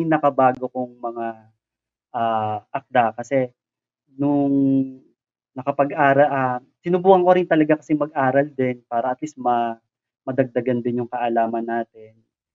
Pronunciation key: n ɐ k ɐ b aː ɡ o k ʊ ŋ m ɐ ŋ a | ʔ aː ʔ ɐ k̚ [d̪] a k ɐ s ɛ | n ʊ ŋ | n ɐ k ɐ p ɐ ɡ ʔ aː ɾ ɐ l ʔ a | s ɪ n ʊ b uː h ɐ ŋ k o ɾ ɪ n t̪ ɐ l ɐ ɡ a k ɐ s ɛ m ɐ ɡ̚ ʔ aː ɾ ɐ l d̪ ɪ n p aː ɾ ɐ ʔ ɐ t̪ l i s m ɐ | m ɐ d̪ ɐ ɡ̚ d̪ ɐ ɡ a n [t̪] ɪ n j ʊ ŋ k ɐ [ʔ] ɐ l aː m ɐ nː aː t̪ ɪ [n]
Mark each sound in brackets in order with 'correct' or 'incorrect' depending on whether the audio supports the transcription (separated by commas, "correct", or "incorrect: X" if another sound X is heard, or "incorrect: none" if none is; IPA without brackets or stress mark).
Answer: correct, incorrect: d̪, correct, correct